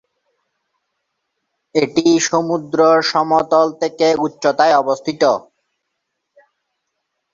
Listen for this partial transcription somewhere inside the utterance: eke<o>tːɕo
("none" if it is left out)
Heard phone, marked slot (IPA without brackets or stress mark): u